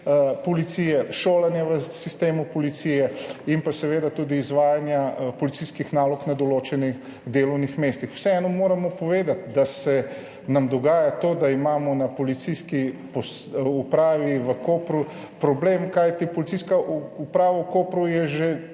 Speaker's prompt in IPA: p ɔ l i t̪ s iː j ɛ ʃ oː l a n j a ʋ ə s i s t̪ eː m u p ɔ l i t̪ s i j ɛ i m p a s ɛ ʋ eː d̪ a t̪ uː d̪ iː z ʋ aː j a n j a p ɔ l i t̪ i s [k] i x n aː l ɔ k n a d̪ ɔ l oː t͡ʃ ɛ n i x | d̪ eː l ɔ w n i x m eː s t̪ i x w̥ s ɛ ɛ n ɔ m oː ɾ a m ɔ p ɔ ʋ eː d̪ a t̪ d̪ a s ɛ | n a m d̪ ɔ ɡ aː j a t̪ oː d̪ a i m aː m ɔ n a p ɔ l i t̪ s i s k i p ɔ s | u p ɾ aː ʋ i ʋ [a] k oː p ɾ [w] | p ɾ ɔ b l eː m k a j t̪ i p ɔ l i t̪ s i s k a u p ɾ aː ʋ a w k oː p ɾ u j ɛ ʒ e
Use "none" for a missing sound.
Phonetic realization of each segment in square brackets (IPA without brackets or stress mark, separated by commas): k, ə, u